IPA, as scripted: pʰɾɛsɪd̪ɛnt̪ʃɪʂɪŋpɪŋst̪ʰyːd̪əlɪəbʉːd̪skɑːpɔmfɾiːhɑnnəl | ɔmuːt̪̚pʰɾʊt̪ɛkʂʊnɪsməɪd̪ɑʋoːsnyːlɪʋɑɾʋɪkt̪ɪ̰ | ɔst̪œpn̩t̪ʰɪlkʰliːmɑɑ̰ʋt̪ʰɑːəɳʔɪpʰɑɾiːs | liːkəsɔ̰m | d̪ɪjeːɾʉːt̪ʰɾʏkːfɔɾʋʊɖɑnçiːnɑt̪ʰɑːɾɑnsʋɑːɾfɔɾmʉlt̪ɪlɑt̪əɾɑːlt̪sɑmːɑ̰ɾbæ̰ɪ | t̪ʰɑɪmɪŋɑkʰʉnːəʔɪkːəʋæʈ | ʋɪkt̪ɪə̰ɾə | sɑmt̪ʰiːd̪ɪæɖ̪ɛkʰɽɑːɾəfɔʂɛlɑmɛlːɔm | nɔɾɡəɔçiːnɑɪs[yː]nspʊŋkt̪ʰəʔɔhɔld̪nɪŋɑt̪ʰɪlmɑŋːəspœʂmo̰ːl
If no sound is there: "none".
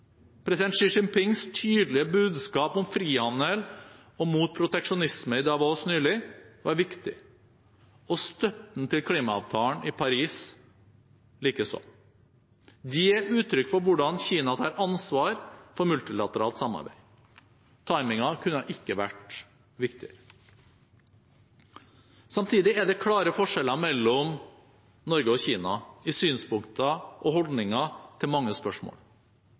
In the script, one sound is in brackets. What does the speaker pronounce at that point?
yː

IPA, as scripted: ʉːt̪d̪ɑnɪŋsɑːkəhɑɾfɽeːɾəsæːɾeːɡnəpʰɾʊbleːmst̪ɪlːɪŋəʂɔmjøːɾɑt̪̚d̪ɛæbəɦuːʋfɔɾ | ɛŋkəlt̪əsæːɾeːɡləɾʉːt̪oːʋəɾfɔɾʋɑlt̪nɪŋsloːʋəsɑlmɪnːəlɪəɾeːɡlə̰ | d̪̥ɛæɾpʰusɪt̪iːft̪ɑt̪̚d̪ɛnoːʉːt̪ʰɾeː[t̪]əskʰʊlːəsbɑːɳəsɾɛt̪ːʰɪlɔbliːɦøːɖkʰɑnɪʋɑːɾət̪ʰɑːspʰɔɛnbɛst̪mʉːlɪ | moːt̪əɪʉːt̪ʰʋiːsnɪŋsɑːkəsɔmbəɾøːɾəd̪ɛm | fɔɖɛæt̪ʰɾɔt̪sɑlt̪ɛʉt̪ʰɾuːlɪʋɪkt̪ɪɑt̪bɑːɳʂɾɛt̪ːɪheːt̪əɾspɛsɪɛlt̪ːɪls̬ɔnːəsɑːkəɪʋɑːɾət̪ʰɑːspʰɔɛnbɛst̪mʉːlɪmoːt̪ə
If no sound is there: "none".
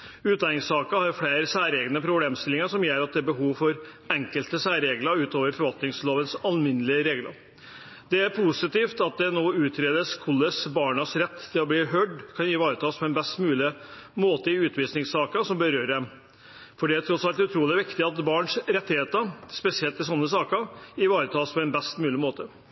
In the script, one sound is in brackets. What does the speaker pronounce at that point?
d̪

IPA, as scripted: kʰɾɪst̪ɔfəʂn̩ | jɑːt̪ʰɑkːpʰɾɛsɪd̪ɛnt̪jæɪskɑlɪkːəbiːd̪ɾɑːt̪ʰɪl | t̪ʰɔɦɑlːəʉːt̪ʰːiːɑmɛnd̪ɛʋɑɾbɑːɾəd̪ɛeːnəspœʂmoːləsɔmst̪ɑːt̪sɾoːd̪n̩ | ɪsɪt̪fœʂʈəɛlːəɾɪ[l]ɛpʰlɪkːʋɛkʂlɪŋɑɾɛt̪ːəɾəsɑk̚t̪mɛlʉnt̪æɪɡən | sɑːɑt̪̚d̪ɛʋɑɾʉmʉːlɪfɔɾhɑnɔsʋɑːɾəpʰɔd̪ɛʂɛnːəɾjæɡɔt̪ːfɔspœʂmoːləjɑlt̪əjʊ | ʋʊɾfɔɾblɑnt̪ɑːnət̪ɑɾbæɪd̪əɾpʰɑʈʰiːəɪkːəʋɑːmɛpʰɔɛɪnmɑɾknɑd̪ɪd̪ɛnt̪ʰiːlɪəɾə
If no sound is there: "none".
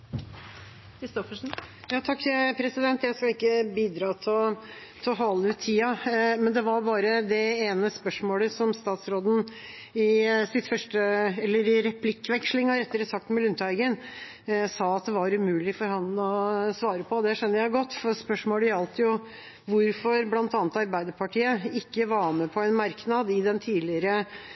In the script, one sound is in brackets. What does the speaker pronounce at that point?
ɾ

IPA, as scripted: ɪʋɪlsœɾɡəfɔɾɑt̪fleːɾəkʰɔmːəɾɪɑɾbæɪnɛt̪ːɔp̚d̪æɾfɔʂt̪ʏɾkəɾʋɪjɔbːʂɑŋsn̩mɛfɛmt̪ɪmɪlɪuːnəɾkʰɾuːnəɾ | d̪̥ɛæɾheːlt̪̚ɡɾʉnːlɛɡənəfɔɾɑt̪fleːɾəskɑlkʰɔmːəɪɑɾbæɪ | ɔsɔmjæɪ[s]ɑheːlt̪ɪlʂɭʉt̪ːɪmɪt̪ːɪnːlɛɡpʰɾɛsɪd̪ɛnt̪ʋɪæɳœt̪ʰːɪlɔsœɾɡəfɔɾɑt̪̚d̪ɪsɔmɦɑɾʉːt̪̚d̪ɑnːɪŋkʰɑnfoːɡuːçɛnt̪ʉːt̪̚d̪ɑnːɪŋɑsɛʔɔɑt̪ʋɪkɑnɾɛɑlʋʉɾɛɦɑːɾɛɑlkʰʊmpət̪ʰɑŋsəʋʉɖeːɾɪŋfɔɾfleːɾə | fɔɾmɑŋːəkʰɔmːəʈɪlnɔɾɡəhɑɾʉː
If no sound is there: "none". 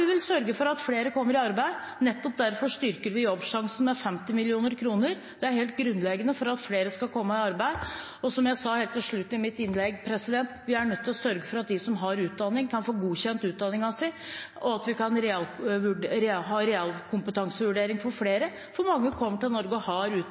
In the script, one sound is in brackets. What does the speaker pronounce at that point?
s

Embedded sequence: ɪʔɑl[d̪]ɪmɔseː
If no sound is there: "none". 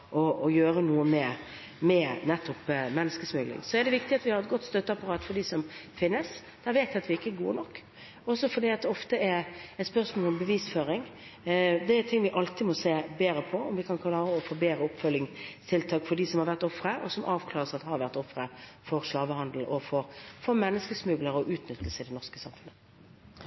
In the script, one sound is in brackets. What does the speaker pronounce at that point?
t̪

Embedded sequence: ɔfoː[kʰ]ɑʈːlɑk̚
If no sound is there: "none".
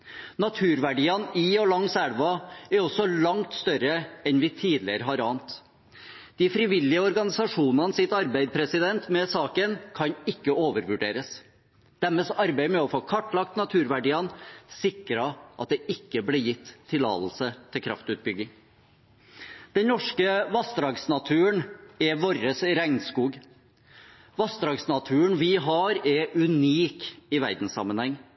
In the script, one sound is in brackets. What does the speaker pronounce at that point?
kʰ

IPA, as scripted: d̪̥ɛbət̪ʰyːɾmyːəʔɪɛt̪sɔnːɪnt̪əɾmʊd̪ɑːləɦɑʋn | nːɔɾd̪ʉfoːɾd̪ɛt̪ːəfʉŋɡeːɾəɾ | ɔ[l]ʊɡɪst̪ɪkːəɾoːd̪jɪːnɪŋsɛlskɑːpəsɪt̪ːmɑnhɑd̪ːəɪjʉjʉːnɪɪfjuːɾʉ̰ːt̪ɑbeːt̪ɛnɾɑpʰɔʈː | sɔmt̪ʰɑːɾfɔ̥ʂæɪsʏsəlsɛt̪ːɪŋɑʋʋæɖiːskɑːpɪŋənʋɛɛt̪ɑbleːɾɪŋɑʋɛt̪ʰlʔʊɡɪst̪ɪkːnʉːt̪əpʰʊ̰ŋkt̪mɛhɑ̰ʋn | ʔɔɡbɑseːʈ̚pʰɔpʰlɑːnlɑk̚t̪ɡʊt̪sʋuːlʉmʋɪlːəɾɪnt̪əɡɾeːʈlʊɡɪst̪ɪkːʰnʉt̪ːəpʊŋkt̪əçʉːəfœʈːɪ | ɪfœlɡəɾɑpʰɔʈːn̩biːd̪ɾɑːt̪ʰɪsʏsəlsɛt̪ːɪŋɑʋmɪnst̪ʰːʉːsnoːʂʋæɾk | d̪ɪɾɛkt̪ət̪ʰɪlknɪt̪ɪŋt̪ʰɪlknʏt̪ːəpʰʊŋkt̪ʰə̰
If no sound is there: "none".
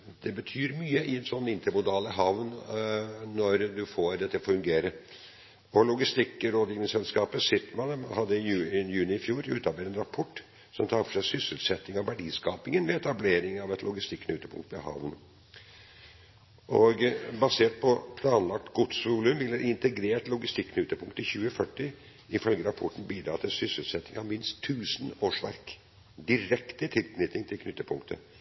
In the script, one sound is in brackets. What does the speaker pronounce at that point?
l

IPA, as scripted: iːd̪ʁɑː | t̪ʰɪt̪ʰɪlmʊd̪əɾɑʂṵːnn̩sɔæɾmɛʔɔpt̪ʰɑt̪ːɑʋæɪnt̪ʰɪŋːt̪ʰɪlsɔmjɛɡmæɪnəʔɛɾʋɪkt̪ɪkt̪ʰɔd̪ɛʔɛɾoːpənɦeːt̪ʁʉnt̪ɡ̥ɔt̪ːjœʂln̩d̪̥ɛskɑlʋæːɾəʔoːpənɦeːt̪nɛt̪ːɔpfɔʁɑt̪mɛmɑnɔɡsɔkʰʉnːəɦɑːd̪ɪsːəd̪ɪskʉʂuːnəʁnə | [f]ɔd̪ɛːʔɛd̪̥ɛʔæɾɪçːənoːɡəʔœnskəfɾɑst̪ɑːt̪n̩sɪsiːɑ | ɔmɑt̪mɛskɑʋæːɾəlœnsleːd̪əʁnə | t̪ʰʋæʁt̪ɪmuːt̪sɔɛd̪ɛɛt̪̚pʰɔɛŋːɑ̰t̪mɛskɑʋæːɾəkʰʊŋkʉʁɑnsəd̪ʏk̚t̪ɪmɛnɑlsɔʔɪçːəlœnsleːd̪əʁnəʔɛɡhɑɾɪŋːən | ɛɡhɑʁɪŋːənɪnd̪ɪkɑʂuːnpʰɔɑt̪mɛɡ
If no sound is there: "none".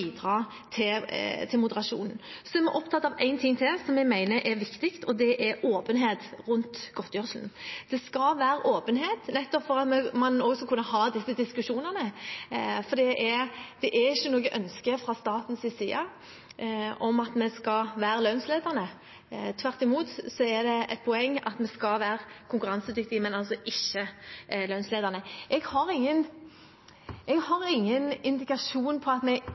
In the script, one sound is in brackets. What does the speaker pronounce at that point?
f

